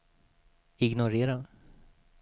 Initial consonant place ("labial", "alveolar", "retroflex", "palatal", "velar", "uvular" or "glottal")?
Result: velar